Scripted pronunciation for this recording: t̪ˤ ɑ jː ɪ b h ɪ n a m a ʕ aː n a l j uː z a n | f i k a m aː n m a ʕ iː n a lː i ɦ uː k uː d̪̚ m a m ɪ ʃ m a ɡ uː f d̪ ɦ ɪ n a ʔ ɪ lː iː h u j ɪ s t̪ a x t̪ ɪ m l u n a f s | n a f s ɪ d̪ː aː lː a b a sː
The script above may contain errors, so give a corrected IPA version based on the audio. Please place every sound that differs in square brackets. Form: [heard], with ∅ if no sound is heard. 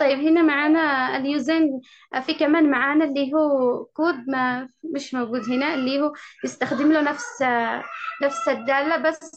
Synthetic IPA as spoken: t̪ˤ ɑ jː ɪ b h ɪ n a m a ʕ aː n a l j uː z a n | f i k a m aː n m a ʕ [aː] n a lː i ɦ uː k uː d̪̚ m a m ɪ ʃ m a ɡ uː [∅] d̪ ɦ ɪ n a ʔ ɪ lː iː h u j ɪ s t̪ a x [d̪] ɪ m l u n a f s | n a f s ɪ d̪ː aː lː a b a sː